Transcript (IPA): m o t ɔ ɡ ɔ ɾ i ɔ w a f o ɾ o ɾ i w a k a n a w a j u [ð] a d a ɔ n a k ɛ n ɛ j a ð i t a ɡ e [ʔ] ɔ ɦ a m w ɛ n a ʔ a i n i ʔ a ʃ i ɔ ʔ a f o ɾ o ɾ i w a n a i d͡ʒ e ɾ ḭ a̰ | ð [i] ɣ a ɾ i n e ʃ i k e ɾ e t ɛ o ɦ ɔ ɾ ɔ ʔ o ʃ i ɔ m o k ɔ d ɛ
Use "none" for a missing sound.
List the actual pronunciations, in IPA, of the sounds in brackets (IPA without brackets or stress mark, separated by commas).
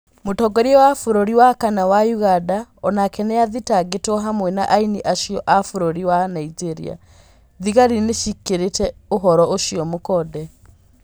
ɣ, t, i